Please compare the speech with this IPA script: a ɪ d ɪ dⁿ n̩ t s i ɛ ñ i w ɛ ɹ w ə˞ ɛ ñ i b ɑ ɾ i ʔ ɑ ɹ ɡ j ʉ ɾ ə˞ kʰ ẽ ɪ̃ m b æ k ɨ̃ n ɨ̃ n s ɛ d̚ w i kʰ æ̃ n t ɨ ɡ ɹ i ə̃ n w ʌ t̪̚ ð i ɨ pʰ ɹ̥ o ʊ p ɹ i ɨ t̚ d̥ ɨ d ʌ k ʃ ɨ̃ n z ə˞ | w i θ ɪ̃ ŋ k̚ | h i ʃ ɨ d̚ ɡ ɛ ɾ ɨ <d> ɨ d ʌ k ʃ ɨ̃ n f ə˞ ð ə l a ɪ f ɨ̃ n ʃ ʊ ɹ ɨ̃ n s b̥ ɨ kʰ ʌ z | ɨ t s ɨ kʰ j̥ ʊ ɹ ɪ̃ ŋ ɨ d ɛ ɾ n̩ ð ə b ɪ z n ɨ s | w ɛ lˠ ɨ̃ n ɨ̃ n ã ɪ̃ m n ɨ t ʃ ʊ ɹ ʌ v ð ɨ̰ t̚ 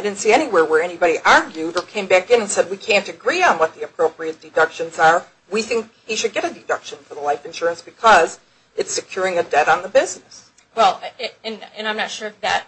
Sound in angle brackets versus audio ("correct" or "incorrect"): correct